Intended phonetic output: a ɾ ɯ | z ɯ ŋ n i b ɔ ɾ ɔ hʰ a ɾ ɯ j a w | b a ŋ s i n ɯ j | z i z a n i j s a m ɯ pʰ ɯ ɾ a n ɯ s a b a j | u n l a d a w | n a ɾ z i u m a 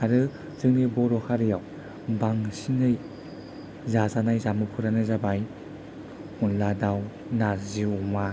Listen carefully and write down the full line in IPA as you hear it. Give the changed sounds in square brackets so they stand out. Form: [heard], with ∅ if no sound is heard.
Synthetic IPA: a ɾ ɯ | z ɯ ŋ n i b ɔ ɾ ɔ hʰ a ɾ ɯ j a w | b a ŋ s i n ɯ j | z [a] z a n [a] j [z] a m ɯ pʰ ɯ ɾ a n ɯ [z] a b a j | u n l a d a w | n a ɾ z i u m a